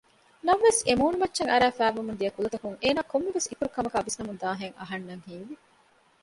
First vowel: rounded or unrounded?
unrounded